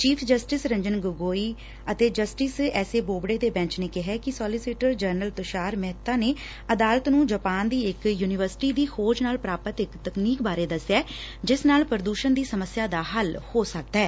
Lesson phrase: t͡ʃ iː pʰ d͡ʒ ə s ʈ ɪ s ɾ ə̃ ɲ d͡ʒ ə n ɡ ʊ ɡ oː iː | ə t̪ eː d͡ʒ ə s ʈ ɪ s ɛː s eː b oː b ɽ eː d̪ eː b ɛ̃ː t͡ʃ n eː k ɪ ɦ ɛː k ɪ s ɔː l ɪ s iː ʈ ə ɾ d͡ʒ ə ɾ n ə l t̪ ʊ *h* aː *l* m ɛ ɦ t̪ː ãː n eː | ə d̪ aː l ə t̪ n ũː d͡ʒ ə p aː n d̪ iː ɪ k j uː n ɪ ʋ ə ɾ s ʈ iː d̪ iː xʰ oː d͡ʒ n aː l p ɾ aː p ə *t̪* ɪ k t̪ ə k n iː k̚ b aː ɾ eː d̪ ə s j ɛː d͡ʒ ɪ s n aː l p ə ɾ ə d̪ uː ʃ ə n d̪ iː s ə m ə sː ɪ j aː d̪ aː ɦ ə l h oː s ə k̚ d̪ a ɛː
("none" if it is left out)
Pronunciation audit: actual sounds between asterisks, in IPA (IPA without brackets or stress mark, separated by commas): ʃ, ɾ, t̪